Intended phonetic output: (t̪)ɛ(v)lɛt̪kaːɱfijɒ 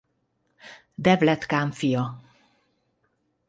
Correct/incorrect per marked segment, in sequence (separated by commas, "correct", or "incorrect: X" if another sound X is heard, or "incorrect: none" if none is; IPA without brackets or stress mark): incorrect: d̪, correct